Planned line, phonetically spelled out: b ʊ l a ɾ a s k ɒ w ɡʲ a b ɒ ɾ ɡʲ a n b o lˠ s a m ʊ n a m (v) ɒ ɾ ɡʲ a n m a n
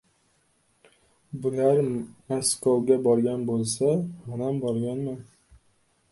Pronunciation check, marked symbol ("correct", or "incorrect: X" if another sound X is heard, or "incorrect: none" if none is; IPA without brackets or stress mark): incorrect: b